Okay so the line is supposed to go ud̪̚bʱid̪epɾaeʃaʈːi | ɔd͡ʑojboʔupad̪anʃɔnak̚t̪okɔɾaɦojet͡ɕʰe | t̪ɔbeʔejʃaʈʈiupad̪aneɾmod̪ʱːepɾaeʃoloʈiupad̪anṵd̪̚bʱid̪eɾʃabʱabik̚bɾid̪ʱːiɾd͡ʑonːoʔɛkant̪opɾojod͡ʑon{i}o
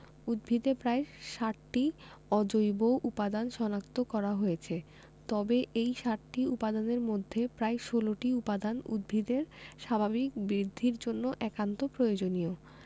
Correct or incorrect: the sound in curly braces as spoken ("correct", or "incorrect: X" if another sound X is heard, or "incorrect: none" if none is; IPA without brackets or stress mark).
correct